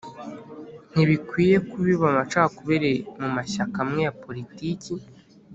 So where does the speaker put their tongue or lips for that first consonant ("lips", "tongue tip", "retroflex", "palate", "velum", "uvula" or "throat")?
tongue tip